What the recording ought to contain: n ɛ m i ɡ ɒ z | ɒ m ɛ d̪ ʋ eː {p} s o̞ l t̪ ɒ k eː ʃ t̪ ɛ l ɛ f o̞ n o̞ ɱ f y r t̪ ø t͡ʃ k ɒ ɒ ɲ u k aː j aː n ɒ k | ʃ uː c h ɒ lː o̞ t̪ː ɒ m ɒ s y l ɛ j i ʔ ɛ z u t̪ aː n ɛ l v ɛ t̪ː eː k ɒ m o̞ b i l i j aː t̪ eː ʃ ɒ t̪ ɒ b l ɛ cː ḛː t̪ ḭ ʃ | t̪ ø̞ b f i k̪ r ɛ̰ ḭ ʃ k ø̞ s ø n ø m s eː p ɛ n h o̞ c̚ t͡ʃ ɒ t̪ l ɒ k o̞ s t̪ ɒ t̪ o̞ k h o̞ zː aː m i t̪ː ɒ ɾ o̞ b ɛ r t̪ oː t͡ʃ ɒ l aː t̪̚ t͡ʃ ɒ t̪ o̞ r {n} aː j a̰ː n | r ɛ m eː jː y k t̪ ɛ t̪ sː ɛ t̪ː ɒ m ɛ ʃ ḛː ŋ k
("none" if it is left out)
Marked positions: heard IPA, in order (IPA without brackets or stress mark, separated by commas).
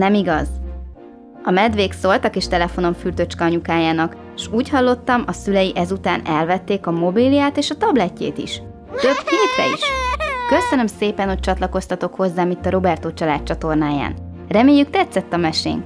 k, n